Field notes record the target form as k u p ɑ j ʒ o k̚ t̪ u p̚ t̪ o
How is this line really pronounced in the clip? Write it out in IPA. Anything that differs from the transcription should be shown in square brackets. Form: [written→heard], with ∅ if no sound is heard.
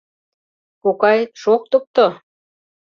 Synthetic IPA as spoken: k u [p→k] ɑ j [ʒ→ʃ] o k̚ t̪ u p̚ t̪ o